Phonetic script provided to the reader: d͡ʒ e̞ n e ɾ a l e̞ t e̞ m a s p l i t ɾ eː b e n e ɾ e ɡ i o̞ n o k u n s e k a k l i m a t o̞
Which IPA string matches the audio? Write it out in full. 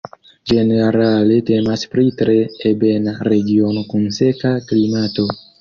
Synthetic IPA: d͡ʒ e̞ n e ɾ a l e̞ t e̞ m a s p ɾ i t ɾ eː b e n a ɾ e ɡ i o̞ n o k u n s e k a k l i m a t o̞

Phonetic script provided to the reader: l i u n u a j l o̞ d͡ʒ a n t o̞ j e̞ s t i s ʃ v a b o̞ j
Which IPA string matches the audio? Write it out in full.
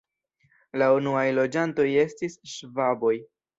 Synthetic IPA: l a u n u a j l o̞ d͡ʒ a n t o̞ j e̞ s t i s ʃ v a b o̞ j

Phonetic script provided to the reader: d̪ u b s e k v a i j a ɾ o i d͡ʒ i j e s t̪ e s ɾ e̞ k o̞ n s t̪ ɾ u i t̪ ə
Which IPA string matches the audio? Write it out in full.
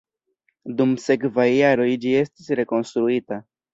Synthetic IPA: d̪ u m s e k v a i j a ɾ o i d͡ʒ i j e s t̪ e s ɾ e̞ k o̞ n s t̪ ɾ u i t̪ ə

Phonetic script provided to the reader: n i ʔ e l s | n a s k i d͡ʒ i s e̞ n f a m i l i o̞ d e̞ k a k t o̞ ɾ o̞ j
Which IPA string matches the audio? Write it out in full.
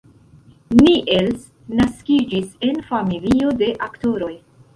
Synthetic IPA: n i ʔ e l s | n a s k i d͡ʒ i s e̞ n f a m i l i o̞ d e̞ ʔ a k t o̞ ɾ o̞ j

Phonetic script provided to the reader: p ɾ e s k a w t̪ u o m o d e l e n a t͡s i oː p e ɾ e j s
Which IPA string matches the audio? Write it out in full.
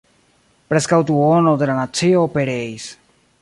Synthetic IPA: p ɾ e s k a w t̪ u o n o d e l a n a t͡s i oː p e ɾ e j s

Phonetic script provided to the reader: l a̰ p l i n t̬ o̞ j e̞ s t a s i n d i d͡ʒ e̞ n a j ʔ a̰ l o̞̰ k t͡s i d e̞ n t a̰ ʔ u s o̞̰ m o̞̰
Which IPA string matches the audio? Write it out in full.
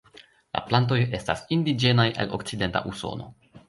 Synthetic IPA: l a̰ p l a n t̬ o̞ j e̞ s t a s i n d i d͡ʒ e̞ n a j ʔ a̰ l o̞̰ k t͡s i d e̞ n t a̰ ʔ u s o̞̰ n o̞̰

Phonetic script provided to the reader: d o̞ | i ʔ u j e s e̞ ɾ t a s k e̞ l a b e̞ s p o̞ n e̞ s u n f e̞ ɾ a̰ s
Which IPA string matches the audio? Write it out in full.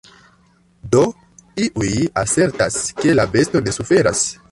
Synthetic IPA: d o̞ | i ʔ u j a s e̞ ɾ t a s k e̞ l a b e̞ s t o̞ n e̞ s u f e̞ ɾ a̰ s

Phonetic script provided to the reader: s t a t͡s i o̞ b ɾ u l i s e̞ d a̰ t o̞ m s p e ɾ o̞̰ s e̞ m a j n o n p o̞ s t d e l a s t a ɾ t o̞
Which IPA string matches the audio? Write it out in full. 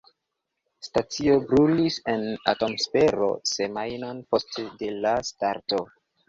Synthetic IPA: s t a t͡s i o̞ b ɾ u l i s e̞ n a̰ t o̞ m s p e ɾ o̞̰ s e̞ m a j n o n p o̞ s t d e l a s t a ɾ t o̞

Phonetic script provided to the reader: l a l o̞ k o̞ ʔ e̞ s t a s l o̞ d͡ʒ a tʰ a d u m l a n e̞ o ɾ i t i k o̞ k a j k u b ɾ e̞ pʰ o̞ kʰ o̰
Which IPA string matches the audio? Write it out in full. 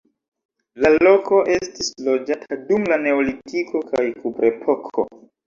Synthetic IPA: l a l o̞ k o̞ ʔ e̞ s t i s l o̞ d͡ʒ a tʰ a d u m l a n e̞ o l i t i k o̞ k a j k u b ɾ e̞ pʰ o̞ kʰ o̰

